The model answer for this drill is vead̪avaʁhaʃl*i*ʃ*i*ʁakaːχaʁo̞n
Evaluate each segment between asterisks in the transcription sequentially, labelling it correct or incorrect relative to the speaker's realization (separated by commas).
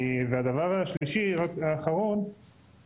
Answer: correct, correct